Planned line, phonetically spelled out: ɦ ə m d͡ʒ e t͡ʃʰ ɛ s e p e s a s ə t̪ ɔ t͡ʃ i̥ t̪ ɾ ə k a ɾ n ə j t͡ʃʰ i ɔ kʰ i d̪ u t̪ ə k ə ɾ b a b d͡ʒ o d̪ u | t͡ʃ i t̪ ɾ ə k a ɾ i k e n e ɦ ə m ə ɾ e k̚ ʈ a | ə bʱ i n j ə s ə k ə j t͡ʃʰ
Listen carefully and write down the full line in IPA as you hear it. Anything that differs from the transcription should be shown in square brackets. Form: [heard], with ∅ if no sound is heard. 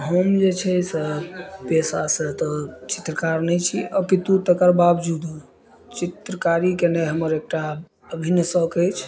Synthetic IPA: ɦ ə m d͡ʒ e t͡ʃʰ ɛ s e p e s a s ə t̪ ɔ t͡ʃ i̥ t̪ ɾ ə k a ɾ n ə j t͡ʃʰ i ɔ [k] i [t̪] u t̪ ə k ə ɾ b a b d͡ʒ [u] d̪ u | t͡ʃ i t̪ ɾ ə k a ɾ i k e n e ɦ ə m ə ɾ e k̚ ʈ a | ə bʱ i n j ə s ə k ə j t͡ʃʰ

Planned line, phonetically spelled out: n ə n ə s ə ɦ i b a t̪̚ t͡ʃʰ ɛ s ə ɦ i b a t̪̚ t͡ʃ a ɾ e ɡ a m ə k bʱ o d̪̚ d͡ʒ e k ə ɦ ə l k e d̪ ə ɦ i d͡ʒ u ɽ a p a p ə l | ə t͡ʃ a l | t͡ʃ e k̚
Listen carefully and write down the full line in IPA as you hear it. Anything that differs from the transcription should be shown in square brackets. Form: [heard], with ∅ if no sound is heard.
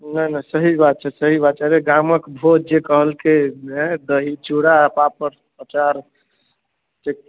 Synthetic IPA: n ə n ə s ə ɦ i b a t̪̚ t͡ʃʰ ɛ s ə ɦ i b a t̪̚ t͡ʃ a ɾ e ɡ a m ə k bʱ o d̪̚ d͡ʒ e k ə ɦ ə l k e d̪ ə ɦ i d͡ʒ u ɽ a p a p ə [ɾ] | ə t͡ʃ a [ɾ] | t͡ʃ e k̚

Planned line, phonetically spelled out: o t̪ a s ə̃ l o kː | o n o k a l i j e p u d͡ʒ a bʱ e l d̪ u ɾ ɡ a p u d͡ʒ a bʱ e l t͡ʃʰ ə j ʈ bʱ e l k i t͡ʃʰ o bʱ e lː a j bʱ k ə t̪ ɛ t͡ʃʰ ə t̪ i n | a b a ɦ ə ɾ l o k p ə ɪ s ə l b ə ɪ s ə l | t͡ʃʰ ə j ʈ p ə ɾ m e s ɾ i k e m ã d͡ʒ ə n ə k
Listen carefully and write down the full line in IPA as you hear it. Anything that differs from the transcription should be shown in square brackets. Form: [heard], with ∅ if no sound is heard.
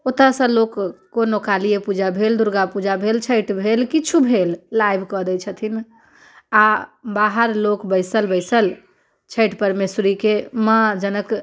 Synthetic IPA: o t̪ a s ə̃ l o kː | o n o k a l i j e p u d͡ʒ a bʱ e l d̪ u ɾ ɡ a p u d͡ʒ a bʱ e l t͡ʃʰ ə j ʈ bʱ e l k i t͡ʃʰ [u] bʱ e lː a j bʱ k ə [d̪] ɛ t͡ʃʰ ə [t̪ʰ] i n | a b a ɦ ə ɾ l o k [b] ə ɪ s ə l b ə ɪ s ə l | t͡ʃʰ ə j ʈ p ə ɾ m e s ɾ i k e m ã d͡ʒ ə n ə k

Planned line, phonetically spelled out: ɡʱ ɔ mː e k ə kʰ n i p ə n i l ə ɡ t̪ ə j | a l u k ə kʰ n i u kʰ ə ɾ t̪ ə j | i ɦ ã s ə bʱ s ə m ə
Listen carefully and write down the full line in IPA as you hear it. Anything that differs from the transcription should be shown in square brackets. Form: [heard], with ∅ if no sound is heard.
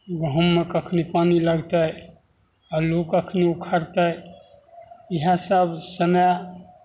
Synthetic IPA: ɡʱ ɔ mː e k ə kʰ n i p [a] n i l ə ɡ t̪ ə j | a l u k ə kʰ n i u kʰ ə ɾ t̪ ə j | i ɦ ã s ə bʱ s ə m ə

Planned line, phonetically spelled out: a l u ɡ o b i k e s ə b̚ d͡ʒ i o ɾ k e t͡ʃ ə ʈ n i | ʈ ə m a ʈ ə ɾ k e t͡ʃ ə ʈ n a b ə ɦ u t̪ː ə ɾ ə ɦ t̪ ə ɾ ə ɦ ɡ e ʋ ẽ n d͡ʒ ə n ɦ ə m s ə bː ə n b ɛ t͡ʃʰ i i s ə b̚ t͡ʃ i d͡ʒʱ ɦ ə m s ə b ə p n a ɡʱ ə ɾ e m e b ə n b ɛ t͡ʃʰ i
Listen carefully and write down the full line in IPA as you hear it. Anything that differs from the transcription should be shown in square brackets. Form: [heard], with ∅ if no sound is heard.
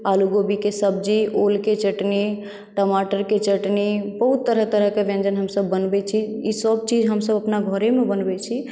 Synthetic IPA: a l u ɡ o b i k e s ə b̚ d͡ʒ i o [l] k e t͡ʃ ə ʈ n i | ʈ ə m a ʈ ə ɾ k e t͡ʃ ə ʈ n [i] b ə ɦ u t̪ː ə ɾ ə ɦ t̪ ə ɾ ə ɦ [k] e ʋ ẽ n d͡ʒ ə n ɦ ə m s ə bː ə n b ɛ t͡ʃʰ i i s ə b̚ t͡ʃ i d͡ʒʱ ɦ ə m s ə b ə p n a ɡʱ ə ɾ e m e b ə n b ɛ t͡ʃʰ i

